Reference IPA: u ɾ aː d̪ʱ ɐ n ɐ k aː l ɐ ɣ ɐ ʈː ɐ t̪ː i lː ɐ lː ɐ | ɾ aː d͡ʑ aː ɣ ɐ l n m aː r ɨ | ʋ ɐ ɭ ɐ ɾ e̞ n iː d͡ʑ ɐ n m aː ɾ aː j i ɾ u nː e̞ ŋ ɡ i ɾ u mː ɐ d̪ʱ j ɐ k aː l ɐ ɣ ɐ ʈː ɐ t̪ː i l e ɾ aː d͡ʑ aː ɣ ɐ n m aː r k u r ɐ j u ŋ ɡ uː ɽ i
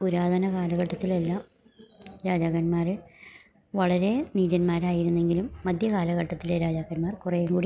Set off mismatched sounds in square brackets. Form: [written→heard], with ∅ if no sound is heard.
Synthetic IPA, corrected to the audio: u ɾ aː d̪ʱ ɐ n ɐ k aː l ɐ ɣ ɐ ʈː ɐ t̪ː i [lː→l] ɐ lː ɐ | ɾ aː d͡ʑ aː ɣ ɐ [l→∅] n m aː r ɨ | ʋ ɐ ɭ ɐ ɾ e̞ n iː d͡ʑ ɐ n m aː ɾ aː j i ɾ u nː e̞ ŋ ɡ i [ɾ→l] u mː ɐ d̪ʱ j ɐ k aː l ɐ ɣ ɐ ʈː ɐ t̪ː i l e ɾ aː d͡ʑ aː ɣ ɐ n m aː r k u r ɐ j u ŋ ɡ uː ɽ i

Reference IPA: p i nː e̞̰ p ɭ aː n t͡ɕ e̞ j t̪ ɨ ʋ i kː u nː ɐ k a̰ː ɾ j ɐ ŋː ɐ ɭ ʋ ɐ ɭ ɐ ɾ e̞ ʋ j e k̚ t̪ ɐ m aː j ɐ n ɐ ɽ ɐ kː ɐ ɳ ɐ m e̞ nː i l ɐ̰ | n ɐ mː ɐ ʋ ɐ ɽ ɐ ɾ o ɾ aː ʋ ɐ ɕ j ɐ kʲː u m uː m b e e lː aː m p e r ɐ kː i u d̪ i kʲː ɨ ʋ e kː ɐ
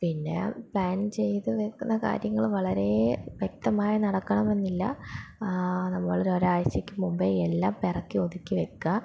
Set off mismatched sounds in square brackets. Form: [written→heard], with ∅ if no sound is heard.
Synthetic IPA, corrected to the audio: p i nː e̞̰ p ɭ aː n t͡ɕ e̞ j t̪ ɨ ʋ [i→e] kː u nː ɐ k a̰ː ɾ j ɐ ŋː ɐ ɭ ʋ ɐ ɭ ɐ ɾ e̞ ʋ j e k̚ t̪ ɐ m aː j ɐ n ɐ ɽ ɐ kː ɐ ɳ ɐ m e̞ nː i [l→lː] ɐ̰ | n ɐ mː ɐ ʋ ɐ [ɽ→ɭ] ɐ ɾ o ɾ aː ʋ ɐ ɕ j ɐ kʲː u m [uː→u] m b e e lː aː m p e r ɐ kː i [u→o] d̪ i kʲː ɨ ʋ e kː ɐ

